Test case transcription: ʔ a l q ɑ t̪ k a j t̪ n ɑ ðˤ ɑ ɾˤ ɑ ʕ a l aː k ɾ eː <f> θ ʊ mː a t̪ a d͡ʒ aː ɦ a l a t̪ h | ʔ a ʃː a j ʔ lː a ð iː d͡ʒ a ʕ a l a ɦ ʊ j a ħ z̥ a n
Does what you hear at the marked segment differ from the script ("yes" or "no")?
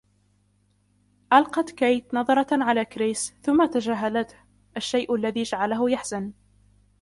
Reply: yes